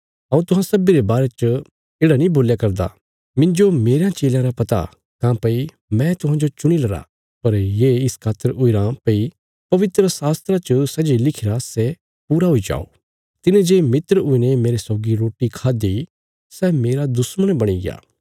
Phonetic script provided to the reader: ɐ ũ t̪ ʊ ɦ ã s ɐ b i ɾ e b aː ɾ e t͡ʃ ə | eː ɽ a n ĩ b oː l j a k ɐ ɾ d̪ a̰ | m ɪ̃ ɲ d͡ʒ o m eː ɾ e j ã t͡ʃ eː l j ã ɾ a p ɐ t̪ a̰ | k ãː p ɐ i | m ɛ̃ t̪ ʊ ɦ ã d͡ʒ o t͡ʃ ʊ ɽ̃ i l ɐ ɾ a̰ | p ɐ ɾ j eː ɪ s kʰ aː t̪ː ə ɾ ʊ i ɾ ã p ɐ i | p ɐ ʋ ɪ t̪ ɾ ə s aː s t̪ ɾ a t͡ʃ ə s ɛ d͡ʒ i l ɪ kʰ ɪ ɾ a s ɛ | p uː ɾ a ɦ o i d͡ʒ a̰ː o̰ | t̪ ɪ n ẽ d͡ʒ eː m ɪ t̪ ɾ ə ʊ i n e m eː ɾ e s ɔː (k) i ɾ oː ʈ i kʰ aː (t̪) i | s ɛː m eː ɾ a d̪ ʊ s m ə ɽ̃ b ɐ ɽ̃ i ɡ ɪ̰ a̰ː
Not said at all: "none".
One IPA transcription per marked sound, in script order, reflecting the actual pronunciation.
ɡ, d̪

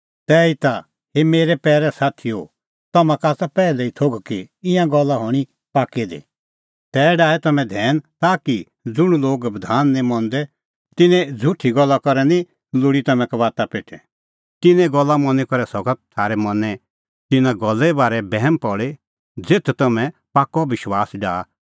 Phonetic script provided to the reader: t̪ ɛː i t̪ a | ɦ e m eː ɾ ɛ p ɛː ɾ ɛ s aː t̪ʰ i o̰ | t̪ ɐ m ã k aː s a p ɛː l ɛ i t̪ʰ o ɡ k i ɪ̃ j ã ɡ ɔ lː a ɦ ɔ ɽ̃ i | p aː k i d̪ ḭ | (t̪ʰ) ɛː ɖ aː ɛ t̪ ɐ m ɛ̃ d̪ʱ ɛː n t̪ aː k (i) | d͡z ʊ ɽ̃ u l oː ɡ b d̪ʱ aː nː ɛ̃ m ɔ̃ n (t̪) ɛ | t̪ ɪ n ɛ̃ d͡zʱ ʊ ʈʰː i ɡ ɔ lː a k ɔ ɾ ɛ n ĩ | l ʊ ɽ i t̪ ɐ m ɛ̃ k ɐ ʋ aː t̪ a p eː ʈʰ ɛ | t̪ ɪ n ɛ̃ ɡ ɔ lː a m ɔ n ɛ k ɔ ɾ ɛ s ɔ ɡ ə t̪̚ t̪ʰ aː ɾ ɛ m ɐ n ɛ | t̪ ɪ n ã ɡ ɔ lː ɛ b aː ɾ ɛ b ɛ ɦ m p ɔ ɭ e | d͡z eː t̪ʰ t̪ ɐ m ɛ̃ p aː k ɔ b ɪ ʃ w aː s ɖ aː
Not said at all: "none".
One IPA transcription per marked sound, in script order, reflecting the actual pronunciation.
t̪, i, d̪

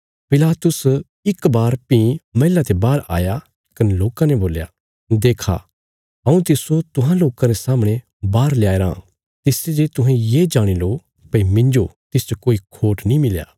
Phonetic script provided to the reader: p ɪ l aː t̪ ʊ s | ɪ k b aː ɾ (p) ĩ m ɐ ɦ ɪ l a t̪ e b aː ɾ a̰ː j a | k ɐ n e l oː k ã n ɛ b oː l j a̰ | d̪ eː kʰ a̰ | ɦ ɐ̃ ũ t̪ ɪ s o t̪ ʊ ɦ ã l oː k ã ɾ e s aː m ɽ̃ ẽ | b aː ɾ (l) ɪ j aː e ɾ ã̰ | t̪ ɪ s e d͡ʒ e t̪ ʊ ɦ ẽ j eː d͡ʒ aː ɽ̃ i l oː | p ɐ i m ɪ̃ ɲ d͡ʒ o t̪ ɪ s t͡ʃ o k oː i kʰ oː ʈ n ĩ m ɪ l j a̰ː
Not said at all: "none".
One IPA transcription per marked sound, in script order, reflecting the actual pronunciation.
p, l

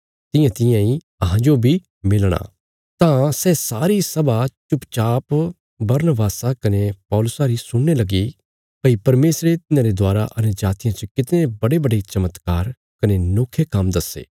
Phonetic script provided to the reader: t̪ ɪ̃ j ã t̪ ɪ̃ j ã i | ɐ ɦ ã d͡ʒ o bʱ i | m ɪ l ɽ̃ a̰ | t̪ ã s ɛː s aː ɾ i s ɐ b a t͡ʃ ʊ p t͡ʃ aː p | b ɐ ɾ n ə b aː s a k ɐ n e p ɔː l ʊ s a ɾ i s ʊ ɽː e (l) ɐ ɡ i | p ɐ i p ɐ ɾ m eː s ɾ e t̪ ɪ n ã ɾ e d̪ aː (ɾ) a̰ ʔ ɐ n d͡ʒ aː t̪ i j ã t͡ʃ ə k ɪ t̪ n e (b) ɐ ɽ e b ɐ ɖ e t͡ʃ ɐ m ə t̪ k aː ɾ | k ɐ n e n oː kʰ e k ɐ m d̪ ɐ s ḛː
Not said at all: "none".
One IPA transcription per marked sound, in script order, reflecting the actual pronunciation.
l, ɾ, b

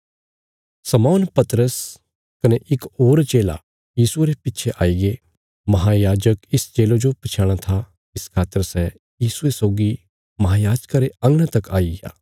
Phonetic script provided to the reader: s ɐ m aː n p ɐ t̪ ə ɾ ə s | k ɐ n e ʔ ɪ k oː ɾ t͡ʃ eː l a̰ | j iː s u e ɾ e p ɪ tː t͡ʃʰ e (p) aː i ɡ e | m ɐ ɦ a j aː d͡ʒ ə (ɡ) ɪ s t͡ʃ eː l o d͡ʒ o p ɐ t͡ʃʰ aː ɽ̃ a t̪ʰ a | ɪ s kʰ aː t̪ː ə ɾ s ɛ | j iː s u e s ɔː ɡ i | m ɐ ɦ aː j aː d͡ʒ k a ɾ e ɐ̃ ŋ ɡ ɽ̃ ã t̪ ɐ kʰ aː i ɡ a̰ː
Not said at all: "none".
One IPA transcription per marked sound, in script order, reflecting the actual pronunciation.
ʔ, k

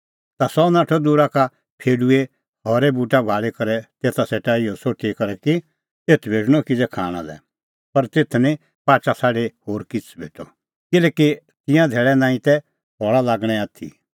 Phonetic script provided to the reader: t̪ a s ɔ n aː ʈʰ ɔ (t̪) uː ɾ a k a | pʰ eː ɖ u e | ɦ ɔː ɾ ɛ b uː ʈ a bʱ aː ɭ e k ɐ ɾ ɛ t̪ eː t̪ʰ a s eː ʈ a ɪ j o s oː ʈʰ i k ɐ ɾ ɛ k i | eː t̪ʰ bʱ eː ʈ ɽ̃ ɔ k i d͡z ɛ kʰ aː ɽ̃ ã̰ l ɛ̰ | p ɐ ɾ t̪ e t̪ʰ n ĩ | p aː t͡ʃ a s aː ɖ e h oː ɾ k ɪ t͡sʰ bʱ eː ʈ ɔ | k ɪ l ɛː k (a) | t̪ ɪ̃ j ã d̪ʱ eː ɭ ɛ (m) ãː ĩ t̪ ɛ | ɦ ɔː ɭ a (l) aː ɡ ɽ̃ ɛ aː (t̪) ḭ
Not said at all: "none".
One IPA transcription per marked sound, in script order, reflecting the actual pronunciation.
d̪, i, n, l, t̪ʰ

